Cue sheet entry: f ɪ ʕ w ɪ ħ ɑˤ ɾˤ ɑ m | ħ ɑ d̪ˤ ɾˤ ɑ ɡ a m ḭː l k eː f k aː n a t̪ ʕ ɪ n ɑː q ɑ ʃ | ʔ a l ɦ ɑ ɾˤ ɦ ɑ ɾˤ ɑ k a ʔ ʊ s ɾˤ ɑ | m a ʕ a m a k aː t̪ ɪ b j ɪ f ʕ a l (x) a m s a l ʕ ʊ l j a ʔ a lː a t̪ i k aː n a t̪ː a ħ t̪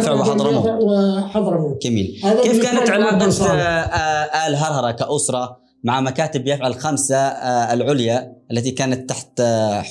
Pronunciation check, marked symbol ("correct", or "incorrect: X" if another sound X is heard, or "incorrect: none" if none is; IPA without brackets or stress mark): correct